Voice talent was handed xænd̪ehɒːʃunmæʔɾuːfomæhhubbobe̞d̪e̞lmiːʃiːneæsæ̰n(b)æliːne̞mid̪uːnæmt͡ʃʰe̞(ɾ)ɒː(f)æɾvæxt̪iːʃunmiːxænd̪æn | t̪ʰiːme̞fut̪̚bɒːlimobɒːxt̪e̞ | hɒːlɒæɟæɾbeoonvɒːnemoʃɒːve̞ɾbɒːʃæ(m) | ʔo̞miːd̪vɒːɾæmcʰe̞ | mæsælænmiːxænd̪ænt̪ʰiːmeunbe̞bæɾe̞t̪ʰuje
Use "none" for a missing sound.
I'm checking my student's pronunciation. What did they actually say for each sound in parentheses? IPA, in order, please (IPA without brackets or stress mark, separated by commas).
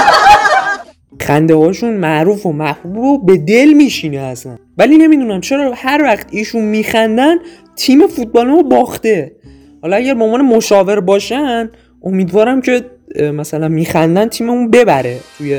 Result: v, ɾ, h, n